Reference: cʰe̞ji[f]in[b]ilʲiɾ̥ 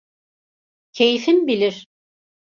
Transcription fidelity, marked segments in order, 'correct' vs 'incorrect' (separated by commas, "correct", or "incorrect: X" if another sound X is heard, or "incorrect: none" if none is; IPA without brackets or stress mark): correct, correct